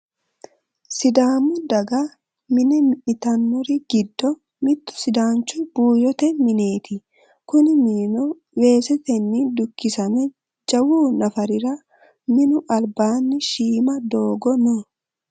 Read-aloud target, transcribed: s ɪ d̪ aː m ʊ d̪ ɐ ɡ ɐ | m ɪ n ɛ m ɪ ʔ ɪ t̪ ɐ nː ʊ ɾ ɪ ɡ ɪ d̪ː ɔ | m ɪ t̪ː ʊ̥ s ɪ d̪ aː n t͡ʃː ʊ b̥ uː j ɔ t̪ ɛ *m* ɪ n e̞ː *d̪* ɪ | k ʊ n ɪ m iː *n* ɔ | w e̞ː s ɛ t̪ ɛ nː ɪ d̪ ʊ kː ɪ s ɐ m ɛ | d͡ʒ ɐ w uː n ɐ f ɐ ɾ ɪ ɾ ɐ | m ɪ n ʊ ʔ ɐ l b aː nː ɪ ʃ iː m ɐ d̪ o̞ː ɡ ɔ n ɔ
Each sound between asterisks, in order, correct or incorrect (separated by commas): correct, incorrect, correct